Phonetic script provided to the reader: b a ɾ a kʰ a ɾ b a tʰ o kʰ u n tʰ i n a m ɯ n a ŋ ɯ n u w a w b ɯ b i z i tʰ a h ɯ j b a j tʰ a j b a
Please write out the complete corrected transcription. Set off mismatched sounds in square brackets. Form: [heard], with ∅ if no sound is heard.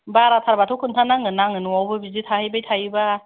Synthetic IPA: b a ɾ a [tʰ] a ɾ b a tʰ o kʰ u n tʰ [a] n a [ŋ] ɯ n a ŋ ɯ n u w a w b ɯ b i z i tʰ a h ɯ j b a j tʰ a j b a